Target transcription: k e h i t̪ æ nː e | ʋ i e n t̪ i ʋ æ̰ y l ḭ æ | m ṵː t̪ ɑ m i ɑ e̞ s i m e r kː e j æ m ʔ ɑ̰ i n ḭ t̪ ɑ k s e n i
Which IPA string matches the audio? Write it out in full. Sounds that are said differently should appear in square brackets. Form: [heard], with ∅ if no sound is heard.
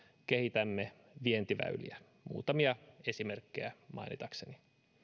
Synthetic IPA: k e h i t̪ æ [mː] e | ʋ i e n t̪ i ʋ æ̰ y l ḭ æ | m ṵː t̪ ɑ m i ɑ e̞ s i m e r kː e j æ m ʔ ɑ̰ i n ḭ t̪ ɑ k s e n i